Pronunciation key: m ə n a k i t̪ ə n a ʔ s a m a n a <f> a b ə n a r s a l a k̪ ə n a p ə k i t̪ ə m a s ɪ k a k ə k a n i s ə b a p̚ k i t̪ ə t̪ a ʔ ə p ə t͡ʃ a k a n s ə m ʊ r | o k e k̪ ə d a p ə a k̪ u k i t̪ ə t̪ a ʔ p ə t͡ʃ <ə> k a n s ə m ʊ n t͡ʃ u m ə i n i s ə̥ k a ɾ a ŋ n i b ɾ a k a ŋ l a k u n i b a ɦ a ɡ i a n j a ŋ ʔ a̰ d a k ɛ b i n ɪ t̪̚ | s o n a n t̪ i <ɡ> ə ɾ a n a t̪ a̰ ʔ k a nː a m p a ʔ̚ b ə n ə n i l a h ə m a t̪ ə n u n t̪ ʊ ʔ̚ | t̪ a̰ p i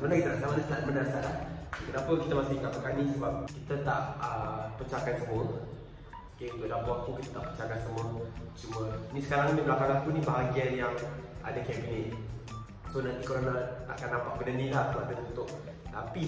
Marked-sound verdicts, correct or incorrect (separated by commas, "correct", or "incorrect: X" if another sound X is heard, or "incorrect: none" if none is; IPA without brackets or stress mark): incorrect: s, incorrect: a, incorrect: k